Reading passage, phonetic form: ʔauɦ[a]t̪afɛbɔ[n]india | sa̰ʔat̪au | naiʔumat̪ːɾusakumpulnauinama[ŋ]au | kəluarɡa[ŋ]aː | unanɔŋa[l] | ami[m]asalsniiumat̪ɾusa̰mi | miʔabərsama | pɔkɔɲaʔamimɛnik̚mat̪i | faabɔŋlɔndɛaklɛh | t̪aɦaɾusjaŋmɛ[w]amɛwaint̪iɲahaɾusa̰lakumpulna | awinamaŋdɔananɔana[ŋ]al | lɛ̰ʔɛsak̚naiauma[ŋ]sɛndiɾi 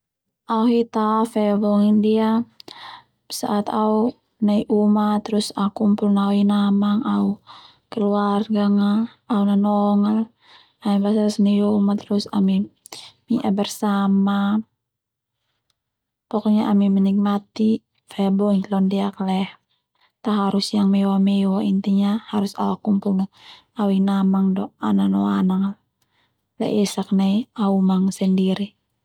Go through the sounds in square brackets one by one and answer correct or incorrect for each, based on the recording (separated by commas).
incorrect, incorrect, correct, correct, correct, incorrect, correct, correct, correct